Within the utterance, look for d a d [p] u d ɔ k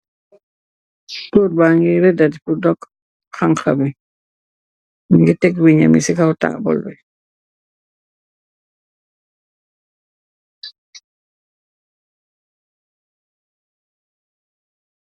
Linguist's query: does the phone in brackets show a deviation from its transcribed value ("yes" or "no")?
no